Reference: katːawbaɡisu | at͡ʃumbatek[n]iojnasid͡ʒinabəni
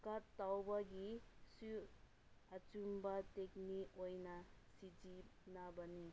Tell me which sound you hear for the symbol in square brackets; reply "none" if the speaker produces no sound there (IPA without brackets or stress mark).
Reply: n